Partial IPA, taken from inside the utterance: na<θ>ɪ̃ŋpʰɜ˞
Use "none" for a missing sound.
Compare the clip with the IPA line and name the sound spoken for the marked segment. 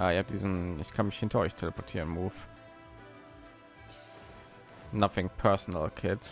θ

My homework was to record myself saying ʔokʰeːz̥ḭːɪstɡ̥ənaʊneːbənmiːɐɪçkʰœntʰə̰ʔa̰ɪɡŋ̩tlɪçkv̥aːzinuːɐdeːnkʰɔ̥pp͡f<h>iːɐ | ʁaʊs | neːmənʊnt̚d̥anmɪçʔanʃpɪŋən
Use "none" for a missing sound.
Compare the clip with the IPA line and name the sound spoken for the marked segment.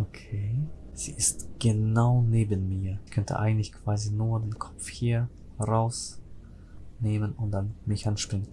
h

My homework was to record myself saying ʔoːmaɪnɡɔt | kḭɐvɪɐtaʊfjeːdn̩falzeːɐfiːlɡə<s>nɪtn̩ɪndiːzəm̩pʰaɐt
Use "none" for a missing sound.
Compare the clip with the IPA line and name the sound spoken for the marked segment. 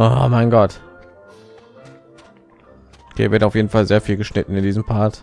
ʃ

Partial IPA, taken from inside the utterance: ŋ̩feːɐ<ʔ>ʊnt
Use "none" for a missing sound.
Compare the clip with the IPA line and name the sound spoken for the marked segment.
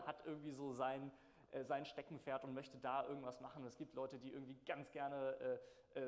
t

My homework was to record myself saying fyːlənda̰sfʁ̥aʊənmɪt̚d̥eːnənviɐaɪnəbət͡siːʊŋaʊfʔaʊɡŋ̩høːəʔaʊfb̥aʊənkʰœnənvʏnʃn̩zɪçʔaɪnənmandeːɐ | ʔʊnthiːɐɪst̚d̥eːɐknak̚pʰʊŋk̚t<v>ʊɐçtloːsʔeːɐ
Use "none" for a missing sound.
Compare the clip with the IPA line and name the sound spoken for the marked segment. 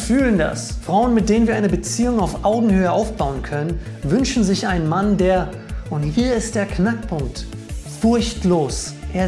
f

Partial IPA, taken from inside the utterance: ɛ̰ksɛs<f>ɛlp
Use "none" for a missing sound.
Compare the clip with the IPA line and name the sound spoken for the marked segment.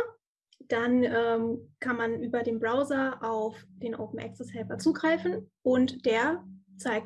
h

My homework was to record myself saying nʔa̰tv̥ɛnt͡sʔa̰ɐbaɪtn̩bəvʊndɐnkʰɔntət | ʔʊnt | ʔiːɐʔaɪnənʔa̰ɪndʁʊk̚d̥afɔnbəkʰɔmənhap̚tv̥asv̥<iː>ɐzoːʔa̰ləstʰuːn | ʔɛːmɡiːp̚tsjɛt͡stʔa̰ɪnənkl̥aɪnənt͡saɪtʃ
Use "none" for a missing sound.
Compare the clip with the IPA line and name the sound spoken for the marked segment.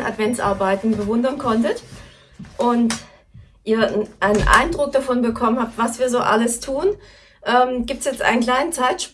iː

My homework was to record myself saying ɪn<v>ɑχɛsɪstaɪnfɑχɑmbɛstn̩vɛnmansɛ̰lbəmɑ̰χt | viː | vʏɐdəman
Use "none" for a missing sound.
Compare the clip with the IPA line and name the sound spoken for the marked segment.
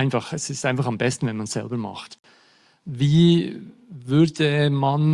f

